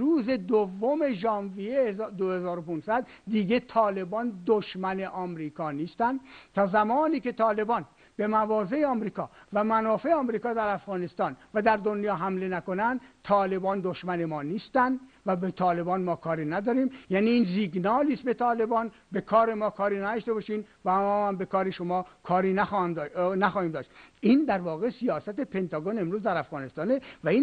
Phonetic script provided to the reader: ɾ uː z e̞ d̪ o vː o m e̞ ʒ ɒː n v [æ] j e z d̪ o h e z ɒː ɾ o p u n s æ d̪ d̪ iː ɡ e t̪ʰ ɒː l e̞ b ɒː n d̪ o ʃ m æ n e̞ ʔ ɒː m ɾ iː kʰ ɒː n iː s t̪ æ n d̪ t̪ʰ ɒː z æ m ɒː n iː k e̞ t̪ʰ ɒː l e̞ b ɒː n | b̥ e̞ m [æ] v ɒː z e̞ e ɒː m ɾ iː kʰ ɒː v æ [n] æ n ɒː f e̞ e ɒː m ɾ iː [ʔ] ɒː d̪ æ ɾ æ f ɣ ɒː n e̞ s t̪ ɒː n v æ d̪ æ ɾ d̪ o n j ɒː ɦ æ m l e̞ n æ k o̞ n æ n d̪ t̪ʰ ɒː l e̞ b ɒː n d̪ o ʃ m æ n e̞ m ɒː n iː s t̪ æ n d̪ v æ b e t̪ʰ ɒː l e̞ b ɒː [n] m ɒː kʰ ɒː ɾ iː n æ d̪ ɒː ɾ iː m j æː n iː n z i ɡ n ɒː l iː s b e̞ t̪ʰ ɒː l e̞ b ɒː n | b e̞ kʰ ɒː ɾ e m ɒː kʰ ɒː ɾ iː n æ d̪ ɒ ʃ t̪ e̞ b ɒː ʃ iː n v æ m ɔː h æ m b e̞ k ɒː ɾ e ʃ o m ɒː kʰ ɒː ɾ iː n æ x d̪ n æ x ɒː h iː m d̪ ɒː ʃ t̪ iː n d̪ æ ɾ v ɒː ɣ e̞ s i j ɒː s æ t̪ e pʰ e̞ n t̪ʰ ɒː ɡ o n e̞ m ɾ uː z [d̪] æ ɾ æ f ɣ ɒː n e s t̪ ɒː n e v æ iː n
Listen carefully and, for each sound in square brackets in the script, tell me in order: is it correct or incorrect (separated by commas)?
incorrect, correct, incorrect, incorrect, correct, correct